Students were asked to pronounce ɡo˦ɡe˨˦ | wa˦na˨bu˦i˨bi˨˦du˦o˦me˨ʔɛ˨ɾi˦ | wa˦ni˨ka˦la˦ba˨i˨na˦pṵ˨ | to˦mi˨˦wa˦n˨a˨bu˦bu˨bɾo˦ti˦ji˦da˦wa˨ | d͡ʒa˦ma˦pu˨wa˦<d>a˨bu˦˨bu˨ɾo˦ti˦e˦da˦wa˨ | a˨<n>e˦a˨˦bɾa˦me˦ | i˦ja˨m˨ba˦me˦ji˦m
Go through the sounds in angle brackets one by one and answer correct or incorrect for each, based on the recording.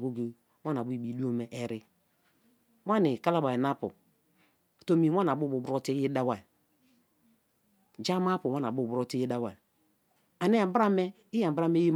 incorrect: n, correct

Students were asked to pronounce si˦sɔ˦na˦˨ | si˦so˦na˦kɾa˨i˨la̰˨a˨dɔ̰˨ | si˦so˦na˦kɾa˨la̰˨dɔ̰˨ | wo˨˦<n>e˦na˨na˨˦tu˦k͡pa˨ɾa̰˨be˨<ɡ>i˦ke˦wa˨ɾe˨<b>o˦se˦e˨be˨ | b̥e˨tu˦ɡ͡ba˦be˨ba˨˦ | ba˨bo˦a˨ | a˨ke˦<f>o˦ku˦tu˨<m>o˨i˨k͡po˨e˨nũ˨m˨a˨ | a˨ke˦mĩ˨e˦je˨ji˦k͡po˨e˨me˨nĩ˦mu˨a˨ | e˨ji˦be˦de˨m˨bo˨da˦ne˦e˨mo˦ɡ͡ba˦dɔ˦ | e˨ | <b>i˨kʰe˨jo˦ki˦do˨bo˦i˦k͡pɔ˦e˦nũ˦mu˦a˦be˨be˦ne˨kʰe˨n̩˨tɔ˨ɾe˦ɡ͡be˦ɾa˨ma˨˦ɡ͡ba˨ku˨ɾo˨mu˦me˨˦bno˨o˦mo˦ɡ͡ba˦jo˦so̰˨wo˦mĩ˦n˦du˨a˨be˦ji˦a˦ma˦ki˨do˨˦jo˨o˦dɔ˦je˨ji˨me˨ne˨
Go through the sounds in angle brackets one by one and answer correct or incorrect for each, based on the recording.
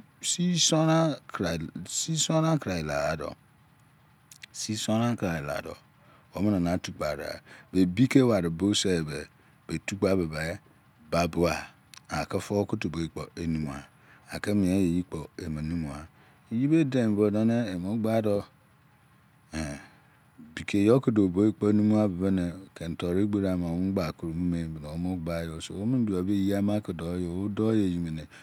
incorrect: m, incorrect: b, correct, correct, incorrect: b, correct

